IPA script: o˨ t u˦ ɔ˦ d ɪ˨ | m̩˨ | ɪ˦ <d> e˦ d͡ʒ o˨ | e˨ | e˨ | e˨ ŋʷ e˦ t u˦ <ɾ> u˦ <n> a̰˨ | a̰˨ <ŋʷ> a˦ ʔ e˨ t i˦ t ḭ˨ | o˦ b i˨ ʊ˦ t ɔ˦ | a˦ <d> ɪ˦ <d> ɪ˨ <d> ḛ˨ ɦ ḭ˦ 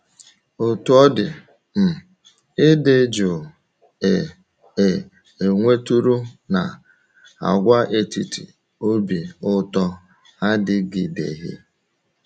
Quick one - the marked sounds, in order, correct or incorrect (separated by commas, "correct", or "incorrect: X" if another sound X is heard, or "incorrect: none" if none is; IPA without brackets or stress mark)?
correct, correct, correct, incorrect: ɡʷ, correct, incorrect: ɡ, correct